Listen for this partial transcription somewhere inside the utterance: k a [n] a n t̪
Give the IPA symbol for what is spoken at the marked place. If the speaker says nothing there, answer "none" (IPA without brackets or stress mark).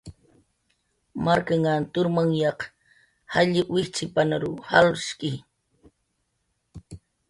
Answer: ŋ